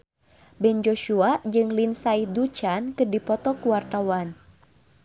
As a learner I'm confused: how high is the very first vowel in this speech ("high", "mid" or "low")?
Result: mid